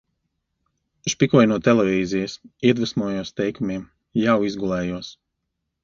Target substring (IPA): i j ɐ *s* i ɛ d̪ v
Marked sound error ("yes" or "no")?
no